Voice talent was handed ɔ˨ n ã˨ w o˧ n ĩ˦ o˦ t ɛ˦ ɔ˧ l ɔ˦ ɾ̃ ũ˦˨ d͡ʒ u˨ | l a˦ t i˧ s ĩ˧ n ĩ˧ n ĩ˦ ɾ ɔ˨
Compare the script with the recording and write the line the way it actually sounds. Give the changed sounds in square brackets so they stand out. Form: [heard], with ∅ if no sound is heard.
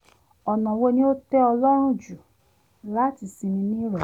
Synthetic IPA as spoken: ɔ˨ n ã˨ w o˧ n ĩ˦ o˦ t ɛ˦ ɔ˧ l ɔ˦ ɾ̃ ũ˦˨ d͡ʒ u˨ | l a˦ t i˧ s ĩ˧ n ĩ˧ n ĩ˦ ɾ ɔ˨